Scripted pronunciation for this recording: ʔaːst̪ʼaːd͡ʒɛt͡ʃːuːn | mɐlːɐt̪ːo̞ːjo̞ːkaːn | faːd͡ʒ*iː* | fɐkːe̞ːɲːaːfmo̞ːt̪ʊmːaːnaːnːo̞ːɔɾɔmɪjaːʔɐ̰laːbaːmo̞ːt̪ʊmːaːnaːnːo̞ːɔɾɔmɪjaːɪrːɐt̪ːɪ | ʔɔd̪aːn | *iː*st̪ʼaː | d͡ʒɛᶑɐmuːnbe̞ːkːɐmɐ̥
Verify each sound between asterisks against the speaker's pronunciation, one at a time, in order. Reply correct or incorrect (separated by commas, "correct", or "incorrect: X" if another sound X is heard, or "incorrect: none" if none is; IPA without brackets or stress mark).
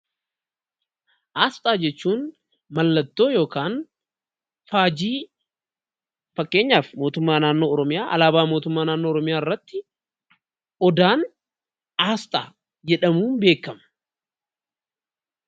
correct, incorrect: aː